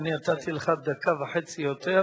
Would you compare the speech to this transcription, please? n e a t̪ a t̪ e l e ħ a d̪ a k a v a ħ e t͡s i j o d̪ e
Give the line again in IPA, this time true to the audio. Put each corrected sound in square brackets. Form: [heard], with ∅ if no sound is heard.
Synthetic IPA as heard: n [i] a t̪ a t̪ [i] l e [χ] a d̪ a k a v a ħ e t͡s i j o [t̪] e